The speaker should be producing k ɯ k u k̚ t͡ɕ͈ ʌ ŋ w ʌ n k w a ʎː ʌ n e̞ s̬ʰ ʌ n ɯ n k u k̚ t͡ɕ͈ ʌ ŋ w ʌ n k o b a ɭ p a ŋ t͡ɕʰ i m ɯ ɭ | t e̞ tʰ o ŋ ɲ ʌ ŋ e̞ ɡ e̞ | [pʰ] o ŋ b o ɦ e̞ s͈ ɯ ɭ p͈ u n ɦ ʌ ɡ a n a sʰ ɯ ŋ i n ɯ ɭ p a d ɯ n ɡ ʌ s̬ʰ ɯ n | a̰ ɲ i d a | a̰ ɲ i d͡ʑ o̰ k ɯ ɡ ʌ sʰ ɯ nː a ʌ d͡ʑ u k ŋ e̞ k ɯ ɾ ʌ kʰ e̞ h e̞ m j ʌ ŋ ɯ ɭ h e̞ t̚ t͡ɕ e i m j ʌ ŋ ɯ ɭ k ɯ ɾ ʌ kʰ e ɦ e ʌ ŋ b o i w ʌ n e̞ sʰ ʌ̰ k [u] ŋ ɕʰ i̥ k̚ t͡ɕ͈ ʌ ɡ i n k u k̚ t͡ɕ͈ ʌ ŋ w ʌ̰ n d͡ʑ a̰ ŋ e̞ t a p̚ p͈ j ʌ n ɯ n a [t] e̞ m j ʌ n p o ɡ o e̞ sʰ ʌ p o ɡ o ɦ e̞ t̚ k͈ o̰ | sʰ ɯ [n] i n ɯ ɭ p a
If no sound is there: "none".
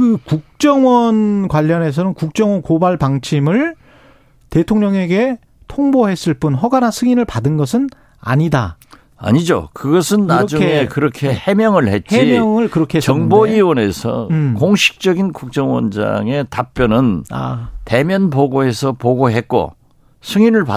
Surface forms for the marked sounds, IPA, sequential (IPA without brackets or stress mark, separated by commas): tʰ, o, t, ŋ